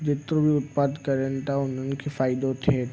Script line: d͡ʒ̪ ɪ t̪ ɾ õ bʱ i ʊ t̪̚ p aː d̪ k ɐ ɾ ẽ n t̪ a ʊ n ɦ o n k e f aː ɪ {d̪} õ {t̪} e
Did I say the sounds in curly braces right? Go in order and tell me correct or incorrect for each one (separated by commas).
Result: correct, incorrect